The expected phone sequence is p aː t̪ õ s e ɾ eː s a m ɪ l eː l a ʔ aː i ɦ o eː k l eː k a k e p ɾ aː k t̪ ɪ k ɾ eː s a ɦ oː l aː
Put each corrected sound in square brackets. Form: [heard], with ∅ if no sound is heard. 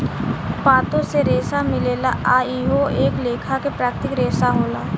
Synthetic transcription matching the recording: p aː t̪ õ s e ɾ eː s a m ɪ l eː l a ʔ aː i ɦ o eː k l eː [kʰ] a k e p ɾ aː k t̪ ɪ k ɾ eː s a ɦ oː l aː